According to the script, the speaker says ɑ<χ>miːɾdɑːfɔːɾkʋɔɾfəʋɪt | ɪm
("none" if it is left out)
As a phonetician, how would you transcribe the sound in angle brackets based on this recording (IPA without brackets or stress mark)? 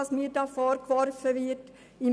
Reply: s